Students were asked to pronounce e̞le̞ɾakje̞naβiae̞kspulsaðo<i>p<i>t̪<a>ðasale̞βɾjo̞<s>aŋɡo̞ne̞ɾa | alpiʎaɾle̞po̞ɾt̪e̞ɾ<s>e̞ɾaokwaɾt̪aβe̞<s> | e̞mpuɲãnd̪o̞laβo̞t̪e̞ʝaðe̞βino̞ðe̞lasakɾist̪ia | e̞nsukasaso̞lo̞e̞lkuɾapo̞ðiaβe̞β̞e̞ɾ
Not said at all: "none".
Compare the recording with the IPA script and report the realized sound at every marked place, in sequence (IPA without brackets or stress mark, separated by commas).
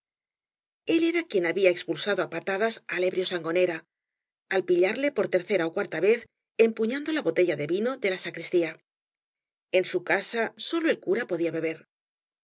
a, a, a, s, θ, θ